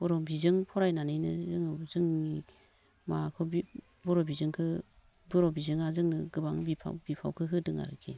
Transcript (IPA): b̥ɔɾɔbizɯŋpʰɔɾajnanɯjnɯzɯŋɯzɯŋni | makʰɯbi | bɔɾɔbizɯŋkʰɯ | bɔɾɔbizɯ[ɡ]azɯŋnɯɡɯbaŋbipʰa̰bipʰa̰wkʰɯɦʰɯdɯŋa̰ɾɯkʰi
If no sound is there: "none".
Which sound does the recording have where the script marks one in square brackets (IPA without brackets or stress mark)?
ŋ